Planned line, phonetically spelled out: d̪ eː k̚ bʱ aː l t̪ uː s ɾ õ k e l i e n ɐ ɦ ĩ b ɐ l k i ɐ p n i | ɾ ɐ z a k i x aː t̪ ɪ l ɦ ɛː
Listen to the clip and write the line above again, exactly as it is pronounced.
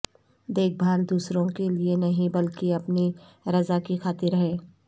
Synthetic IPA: d̪ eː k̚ bʱ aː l d̪ uː s ɾ õ k e l i e n ɐ ɦ ĩ b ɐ l k i ɐ p n i | ɾ ɐ z a k i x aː t̪ ɪ ɾ ɦ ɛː

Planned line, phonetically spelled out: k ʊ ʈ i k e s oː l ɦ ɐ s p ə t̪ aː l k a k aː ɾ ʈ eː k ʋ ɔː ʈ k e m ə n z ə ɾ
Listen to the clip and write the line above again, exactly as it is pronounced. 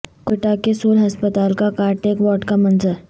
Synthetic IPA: k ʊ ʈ a k e s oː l ɦ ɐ s p ə t̪ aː l k a k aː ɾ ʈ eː k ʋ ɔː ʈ k a m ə n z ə ɾ

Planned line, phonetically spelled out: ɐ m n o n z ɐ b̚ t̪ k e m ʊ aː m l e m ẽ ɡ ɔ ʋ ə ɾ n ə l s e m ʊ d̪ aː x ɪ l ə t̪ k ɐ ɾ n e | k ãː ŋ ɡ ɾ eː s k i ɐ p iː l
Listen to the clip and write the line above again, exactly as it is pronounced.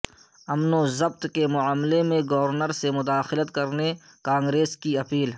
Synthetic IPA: ɐ m n o z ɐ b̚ t̪ k e m ʊ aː m l e m ẽ ɡ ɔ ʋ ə ɾ n ə ɾ s e m ʊ d̪ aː x ɪ l ə t̪ k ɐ ɾ n e | k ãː ŋ ɡ ɾ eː s k i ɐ p iː l

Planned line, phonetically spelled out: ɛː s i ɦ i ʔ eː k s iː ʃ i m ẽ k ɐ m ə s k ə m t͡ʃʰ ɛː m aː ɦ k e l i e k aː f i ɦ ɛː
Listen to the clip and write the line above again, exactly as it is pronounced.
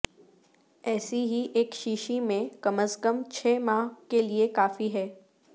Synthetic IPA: ɛː s i ɦ i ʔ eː k ʃ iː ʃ i m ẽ k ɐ m ə s k ə m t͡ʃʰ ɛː m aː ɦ k e l i e k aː f i ɦ ɛː

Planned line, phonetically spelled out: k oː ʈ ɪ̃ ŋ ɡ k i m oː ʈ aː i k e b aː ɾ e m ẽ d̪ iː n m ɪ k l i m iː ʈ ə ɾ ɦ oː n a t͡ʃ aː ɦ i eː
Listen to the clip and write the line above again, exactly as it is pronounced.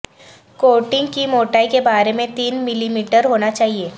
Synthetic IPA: k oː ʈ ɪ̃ ŋ ɡ k i m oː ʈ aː i k e b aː ɾ e m ẽ t̪ iː n m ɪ l i m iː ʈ ə ɾ ɦ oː n a t͡ʃ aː ɦ i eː

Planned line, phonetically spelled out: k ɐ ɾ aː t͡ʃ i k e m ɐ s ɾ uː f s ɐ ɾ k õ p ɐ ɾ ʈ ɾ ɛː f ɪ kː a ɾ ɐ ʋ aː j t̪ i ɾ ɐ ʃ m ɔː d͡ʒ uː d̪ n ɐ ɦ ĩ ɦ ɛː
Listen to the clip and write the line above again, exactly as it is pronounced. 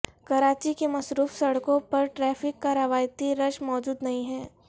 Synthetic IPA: k ɐ ɾ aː t͡ʃ i k e m ɐ s ɾ uː f s ɐ ɽ k õ p ɐ ɾ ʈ ɾ ɛː f ɪ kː a ɾ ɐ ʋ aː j t̪ i ɾ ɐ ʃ m ɔː d͡ʒ uː d̪ n ɐ ɦ ĩ ɦ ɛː

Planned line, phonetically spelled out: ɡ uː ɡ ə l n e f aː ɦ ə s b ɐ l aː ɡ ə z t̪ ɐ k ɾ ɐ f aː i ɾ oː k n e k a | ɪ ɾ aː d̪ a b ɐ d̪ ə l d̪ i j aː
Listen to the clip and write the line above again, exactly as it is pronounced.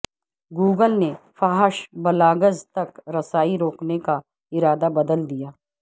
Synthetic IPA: ɡ uː ɡ ə l n e f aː ɦ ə ʃ b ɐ l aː ɡ ə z t̪ ɐ k ɾ ɐ s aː i ɾ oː k n e k a | ɪ ɾ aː d̪ a b ɐ d̪ ə l d̪ i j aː

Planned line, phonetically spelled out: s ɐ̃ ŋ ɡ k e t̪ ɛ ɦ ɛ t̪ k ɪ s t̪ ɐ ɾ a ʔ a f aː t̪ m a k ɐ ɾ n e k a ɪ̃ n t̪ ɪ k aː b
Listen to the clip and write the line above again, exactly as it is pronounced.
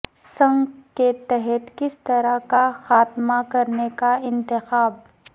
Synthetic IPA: s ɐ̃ ŋ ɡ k e t̪ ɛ ɦ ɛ t̪ k ɪ s t̪ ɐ ɾ a k a x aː t̪ m a k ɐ ɾ n e k a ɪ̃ n t̪ ɪ x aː b

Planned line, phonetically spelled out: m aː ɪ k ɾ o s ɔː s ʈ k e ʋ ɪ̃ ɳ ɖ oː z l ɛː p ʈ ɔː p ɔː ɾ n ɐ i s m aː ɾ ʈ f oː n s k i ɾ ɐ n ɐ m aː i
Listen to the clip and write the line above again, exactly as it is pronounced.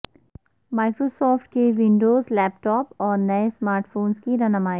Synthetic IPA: m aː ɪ k ɾ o s ɔː f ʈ k e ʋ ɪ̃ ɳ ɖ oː z l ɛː p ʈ ɔː p ɔː ɾ n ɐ e s m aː ɾ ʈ f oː n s k i ɾ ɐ n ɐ m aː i

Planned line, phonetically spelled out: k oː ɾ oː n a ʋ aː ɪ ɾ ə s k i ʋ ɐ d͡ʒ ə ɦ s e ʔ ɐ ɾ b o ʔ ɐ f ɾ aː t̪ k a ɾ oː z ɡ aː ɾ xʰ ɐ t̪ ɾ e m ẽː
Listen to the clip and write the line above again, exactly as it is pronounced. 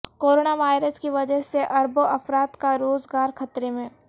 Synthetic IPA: k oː ɾ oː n a ʋ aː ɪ ɾ ə s k i ʋ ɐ d͡ʒ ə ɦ s e ʔ ɐ ɾ b o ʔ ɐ f ɾ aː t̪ k a ɾ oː z ɡ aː ɾ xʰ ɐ t̪ ɾ e m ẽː

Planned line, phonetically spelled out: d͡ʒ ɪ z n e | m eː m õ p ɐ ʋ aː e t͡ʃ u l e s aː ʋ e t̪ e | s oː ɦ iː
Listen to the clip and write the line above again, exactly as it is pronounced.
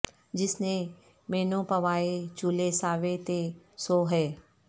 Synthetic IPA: d͡ʒ ɪ s n e | m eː n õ p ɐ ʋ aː e t͡ʃ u l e s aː ʋ e t̪ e | s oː ɦ ɛː

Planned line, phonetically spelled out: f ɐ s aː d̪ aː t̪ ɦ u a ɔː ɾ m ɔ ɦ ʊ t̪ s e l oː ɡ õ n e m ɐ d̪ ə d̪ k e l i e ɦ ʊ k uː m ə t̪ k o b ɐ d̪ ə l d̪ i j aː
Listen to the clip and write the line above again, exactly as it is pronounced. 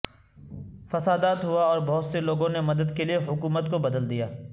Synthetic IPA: f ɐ s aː d̪ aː t̪ ɦ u a ɔː ɾ b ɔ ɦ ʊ t̪ s e l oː ɡ õ n e m ɐ d̪ ə d̪ k e l i e ɦ ʊ k uː m ə t̪ k o b ɐ d̪ ə l d̪ i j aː

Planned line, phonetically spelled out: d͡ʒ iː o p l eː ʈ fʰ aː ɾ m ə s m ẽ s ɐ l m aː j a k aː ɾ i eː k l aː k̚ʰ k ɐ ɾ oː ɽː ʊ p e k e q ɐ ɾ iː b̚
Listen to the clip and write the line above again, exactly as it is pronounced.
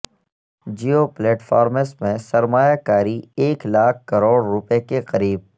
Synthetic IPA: d͡ʒ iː o p l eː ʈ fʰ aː ɾ m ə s m ẽ s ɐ ɾ m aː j a k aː ɾ i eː k l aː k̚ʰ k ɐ ɾ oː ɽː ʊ p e k e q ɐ ɾ iː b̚

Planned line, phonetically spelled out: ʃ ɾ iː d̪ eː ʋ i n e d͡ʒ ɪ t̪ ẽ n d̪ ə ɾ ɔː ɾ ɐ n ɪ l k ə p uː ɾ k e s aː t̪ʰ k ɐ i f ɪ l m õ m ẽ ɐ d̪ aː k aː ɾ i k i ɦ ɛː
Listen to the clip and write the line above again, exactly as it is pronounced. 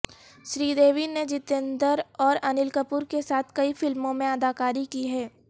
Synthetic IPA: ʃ ɾ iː d̪ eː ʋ i n e d͡ʒ ɪ t̪ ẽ n d̪ ə ɾ ɔː ɾ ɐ n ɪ l k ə p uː ɾ k e s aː t̪ʰ k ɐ i f ɪ l m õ m ẽ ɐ d̪ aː k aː ɾ i k i ɦ ɛː

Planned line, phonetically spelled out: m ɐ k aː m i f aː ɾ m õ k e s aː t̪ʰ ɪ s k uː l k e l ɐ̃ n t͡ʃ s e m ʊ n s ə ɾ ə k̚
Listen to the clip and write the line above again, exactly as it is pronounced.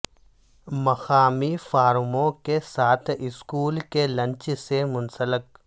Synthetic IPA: m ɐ x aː m i f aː ɾ m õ k e s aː t̪ʰ ɪ s k uː l k e l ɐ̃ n t͡ʃ s e m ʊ n s ə l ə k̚

